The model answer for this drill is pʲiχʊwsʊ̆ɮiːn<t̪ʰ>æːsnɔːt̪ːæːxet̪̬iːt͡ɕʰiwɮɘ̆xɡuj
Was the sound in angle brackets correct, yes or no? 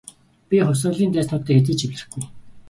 no